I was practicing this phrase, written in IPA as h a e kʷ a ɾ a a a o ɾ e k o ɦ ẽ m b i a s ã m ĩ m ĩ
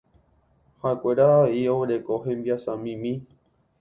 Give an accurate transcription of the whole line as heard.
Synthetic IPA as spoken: h a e kʷ e ɾ a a i o ɾ e k o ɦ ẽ m b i a s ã m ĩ m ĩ